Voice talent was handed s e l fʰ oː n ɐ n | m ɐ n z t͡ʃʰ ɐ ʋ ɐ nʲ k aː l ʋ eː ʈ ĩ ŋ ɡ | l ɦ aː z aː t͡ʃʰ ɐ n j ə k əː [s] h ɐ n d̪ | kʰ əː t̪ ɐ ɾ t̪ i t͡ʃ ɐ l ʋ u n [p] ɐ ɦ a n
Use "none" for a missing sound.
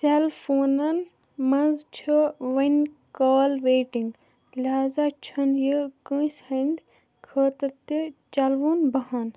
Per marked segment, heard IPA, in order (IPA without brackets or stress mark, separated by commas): s, b